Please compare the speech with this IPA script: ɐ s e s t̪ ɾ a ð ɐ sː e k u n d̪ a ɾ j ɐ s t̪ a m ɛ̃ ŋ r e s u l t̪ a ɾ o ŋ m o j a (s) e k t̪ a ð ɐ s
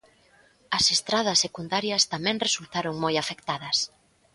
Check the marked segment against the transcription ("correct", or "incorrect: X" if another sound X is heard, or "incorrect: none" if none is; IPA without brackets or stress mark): incorrect: f